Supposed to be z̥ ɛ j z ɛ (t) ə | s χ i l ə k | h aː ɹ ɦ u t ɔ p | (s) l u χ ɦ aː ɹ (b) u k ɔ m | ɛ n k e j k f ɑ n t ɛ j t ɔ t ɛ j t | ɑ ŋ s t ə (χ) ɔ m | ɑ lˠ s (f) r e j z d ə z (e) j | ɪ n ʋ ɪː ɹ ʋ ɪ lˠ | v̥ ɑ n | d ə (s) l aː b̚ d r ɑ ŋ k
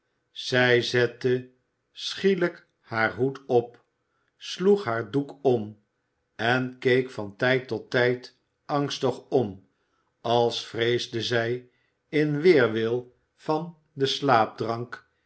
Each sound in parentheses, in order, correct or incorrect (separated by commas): correct, correct, incorrect, correct, correct, incorrect, correct